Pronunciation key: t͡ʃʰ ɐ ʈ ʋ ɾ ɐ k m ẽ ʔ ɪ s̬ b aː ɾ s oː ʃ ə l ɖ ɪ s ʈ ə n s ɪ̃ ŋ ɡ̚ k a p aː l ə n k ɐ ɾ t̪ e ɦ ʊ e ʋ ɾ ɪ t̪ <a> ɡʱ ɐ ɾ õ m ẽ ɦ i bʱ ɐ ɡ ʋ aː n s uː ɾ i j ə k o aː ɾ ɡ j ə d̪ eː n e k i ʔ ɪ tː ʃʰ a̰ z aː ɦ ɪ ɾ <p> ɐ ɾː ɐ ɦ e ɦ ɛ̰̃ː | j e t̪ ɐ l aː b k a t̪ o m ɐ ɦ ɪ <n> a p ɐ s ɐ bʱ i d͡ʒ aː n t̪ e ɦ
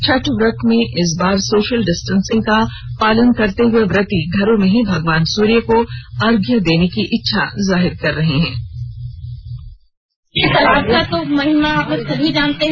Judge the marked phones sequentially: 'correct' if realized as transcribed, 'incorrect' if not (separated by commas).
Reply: incorrect, incorrect, incorrect